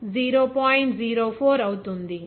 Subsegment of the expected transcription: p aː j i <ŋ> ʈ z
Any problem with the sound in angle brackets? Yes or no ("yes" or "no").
yes